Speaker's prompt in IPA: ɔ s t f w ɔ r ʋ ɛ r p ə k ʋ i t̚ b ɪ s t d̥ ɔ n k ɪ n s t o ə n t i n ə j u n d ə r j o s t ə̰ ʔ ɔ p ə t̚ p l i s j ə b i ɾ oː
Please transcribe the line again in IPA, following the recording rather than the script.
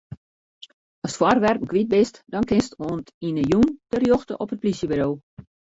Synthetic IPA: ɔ s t f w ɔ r ʋ ɛ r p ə k ʋ i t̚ b ɪ s t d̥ ɔ n k ɪ n s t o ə n t i n ə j u n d ə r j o x t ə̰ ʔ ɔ p ə t̚ p l i s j ə b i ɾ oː